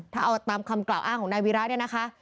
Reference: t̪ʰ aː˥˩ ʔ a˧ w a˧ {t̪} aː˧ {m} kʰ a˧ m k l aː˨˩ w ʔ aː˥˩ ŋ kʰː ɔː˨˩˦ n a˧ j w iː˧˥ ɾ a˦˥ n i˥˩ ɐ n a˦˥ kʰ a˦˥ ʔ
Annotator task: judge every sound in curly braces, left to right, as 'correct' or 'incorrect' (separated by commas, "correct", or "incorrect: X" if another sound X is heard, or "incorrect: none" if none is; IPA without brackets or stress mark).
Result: correct, correct